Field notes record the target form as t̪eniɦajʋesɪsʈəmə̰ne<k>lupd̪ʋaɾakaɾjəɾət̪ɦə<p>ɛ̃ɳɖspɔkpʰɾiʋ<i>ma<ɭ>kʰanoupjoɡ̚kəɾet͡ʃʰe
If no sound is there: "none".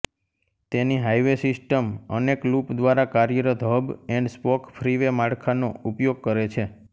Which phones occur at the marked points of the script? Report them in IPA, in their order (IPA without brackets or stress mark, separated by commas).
k, b, e, ɽ